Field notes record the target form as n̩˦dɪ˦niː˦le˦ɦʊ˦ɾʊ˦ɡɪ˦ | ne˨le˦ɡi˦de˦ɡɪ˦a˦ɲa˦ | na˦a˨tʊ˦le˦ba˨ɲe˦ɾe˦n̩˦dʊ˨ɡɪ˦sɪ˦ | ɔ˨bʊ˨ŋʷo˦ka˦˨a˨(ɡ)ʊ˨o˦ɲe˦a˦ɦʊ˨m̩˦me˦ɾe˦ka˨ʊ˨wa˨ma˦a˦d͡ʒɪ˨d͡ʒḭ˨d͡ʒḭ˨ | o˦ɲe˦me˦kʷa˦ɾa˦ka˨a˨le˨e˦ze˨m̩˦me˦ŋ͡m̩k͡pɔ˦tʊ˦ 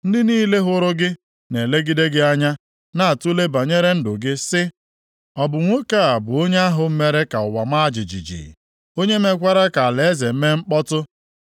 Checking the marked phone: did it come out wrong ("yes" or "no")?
yes